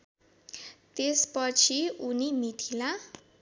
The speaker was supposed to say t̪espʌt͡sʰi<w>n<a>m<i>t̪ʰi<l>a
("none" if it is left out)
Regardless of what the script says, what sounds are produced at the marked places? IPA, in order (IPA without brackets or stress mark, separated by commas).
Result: u, i, i, l